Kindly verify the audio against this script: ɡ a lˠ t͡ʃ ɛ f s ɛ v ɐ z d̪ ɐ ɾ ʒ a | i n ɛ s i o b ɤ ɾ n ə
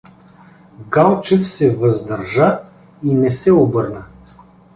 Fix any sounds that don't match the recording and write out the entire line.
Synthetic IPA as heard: ɡ a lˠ t͡ʃ ɛ f s ɛ v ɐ z d̪ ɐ ɾ ʒ a | i n ɛ s ɛ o b ɤ ɾ n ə